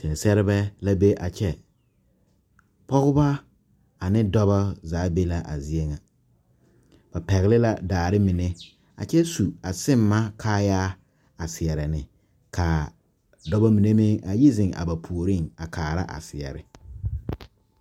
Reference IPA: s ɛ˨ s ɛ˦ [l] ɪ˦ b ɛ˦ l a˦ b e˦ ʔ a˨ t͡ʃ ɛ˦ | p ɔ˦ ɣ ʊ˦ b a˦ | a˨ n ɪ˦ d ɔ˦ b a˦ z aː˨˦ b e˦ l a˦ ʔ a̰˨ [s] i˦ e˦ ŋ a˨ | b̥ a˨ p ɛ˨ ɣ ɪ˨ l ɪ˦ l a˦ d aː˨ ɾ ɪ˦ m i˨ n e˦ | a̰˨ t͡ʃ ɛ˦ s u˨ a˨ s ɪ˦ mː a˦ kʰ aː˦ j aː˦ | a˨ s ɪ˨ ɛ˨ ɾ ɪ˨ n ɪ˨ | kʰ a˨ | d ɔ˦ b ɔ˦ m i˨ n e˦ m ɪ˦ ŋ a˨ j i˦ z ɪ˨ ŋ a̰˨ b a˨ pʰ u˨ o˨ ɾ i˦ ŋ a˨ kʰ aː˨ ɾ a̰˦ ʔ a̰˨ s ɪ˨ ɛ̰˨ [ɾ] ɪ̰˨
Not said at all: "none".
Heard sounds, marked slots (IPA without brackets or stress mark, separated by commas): ɾ, z, ɾ